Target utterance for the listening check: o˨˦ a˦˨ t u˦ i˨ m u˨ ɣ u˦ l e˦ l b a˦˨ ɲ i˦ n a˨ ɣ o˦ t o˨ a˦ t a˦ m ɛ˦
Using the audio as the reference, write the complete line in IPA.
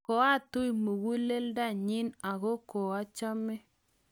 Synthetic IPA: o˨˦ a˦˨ t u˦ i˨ m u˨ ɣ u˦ l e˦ l d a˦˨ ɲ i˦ n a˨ ɣ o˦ k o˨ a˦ t͡ʃ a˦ m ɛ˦